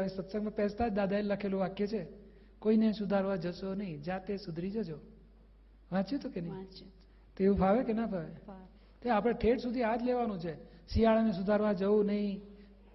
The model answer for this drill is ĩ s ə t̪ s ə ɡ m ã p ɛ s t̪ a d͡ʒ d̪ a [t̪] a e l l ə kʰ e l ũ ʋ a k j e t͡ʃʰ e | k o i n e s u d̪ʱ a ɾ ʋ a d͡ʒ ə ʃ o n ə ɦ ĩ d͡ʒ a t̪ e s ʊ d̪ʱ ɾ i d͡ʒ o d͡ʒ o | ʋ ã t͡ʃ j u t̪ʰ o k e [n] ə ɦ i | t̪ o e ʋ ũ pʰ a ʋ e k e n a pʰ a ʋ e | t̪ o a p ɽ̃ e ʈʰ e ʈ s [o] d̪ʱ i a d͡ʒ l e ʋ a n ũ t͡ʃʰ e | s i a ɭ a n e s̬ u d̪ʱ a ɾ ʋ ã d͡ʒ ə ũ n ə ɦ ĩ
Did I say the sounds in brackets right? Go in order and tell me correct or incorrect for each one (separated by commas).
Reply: incorrect, correct, incorrect